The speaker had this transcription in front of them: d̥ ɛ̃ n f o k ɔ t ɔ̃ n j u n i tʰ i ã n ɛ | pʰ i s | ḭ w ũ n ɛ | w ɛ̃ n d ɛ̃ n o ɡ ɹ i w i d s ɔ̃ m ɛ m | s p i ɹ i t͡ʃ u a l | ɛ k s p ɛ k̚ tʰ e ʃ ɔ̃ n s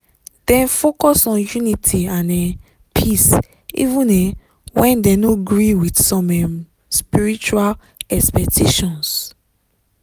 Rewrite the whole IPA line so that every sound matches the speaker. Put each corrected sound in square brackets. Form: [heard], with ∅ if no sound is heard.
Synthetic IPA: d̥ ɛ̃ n f o k ɔ [s] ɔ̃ n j u n i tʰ i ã n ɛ | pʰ i s | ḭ [v] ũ n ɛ | w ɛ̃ n d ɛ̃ n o ɡ ɹ i w i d s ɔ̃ m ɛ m | s p i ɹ i t͡ʃ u a l | ɛ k s p ɛ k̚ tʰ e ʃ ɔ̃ n s